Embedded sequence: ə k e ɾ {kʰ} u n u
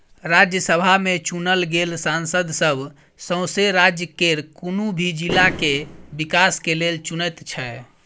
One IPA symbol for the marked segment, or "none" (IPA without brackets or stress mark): k